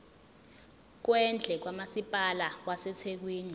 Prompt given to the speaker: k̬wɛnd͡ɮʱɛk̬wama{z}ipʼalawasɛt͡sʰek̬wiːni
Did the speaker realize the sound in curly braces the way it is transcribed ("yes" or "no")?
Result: no